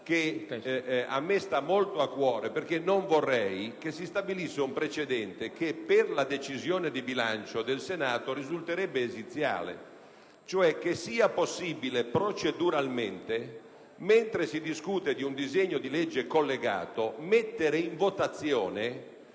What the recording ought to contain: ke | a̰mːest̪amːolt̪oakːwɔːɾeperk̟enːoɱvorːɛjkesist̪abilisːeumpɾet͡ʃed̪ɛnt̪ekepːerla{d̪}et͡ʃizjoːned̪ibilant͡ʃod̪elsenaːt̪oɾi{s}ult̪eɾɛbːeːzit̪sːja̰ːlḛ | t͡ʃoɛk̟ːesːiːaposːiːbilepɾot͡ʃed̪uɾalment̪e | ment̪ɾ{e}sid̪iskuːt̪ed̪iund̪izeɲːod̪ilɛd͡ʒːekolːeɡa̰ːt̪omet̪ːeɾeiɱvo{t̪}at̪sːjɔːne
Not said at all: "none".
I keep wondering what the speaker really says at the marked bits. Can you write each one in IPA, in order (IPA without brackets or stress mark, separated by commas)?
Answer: d̪, z, e, t̪